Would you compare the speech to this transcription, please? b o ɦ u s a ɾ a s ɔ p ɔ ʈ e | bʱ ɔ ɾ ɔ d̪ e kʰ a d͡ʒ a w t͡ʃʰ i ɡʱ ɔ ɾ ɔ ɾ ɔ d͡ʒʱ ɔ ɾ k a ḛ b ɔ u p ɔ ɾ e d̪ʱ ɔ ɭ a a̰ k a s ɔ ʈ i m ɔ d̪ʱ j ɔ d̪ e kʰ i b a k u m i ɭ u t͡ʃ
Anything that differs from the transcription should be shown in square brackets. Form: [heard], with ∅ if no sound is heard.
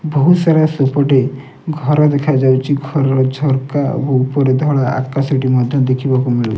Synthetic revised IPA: b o ɦ u s a ɾ a s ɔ p ɔ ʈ e | [ɡʱ] ɔ ɾ ɔ d̪ e kʰ a d͡ʒ a w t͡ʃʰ i ɡʱ ɔ ɾ ɔ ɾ ɔ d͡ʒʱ ɔ ɾ k a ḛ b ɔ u p ɔ ɾ e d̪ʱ ɔ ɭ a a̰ k a s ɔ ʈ i m ɔ d̪ʱ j ɔ d̪ e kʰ i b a k u m i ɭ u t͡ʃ